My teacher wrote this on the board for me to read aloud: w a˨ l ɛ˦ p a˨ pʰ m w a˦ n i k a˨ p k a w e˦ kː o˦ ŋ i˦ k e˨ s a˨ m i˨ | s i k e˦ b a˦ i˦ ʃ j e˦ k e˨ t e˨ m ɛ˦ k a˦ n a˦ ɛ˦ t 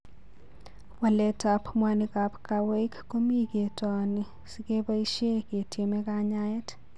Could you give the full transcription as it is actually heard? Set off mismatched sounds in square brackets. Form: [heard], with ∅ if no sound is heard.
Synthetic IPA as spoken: w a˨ l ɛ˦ [t] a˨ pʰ m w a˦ n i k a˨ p k a w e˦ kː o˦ [m] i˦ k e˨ [t] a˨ [n] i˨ | s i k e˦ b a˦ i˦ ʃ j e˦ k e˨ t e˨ m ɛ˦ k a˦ [ɲ] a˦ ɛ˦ t